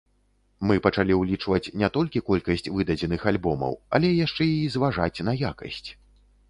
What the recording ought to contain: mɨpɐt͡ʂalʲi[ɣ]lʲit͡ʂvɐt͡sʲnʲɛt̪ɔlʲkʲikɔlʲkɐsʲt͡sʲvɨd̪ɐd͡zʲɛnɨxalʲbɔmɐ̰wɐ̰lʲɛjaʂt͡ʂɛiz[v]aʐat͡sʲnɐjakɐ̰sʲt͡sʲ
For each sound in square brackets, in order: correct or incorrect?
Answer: incorrect, correct

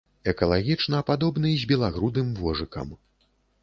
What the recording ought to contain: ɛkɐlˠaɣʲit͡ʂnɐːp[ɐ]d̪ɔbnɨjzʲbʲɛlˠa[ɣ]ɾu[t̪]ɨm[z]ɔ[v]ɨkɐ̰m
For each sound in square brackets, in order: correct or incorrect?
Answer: incorrect, correct, incorrect, incorrect, incorrect

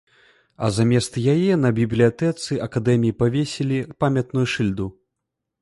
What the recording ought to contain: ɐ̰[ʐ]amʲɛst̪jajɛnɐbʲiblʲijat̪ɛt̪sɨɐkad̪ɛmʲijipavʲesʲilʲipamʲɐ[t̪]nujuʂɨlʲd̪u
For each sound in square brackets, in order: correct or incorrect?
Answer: incorrect, correct

